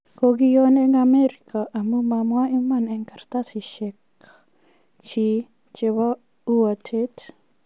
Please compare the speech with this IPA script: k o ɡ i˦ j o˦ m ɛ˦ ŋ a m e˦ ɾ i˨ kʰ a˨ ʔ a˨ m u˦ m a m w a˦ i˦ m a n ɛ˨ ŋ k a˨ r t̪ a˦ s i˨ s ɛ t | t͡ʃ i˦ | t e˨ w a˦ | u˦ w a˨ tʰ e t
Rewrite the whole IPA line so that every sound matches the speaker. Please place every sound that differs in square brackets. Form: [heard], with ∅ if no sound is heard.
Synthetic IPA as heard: k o ɡ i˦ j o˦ [n] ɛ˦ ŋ a m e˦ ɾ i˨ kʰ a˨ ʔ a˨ m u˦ m a m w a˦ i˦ m a n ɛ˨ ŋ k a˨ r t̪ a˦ s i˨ [ʃ] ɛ [k] | t͡ʃ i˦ | [t͡ʃ] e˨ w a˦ | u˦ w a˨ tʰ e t

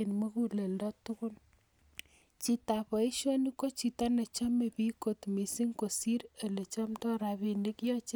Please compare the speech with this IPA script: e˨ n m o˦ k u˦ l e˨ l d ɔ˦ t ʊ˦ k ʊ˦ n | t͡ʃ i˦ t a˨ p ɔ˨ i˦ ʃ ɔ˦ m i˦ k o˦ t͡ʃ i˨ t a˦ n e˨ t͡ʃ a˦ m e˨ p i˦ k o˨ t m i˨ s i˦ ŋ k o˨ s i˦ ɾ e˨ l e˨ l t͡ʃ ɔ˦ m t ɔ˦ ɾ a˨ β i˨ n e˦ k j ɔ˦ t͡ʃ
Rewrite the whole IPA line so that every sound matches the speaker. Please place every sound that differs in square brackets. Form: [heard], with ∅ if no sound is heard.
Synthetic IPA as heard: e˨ n m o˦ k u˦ l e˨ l d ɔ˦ t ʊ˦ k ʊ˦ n | t͡ʃ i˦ t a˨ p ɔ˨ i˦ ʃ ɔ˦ [n] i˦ k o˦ t͡ʃ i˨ t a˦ n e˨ t͡ʃ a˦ m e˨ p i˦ k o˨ t m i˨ s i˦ ŋ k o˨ s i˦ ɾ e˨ l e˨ [∅] t͡ʃ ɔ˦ m t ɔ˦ ɾ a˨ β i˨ n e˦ k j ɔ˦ t͡ʃ

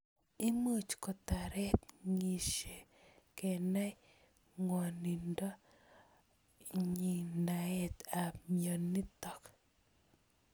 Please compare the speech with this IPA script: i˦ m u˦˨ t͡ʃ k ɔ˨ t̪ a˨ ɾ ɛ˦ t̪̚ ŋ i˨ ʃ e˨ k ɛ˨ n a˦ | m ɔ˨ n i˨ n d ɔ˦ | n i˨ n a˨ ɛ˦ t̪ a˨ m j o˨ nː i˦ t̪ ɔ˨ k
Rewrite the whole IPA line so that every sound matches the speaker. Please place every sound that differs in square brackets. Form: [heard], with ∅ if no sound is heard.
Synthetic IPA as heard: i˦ m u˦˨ t͡ʃ k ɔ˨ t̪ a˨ ɾ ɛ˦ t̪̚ ŋ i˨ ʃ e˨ k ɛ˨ n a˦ | [ŋ] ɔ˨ n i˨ n d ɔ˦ | [ɲ] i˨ n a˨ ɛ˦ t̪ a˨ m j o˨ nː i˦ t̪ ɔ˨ k

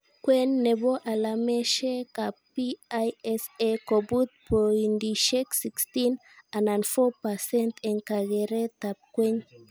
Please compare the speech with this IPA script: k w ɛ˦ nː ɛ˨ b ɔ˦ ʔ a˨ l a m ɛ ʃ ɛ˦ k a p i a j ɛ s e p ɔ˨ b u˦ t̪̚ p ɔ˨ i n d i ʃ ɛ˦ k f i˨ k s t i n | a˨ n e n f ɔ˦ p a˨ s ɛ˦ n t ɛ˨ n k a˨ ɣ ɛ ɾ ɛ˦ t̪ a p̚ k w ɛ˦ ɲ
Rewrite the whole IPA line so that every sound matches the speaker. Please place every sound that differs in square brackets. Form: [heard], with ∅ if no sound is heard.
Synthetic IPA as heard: k w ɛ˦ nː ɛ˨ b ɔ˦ ʔ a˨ l a m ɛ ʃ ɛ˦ k a p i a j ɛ s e [k] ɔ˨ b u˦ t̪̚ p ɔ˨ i n d i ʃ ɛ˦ k [s] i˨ k s t i n | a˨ n [a] n f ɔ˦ p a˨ s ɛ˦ n t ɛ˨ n k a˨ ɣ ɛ ɾ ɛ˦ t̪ a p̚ k w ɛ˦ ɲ

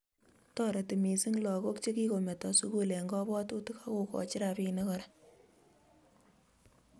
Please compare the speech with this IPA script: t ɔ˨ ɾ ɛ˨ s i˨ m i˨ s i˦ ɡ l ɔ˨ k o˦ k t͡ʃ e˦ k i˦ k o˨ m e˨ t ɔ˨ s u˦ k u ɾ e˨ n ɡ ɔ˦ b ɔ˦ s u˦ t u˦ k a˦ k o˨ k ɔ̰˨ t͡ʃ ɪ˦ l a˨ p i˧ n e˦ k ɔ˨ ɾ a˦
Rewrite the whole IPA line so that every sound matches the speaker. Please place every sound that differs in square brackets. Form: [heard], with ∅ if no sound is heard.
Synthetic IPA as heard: t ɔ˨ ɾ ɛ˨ [t] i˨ m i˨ s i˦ [ŋ] l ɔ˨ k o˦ k t͡ʃ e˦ k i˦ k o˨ m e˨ t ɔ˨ s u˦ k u [l] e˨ [ŋ] ɡ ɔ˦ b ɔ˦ [t] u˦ t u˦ k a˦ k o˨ k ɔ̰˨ t͡ʃ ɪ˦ [ɾ] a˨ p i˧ n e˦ k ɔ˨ ɾ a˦

